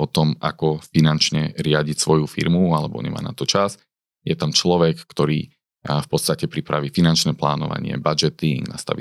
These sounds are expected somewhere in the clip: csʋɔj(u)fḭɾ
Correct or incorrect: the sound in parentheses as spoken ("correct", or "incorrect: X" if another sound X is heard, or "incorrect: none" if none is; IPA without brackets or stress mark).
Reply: correct